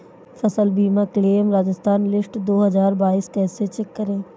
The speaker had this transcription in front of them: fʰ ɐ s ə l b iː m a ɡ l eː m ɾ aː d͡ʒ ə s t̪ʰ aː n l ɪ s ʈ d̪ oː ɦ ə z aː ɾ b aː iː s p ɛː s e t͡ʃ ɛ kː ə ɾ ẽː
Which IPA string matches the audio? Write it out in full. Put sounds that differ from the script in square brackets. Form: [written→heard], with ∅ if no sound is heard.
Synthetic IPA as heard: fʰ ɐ s ə l b iː m a [ɡ→k] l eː m ɾ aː d͡ʒ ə s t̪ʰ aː n l ɪ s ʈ d̪ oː ɦ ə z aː ɾ b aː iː s [p→k] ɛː s e t͡ʃ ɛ kː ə ɾ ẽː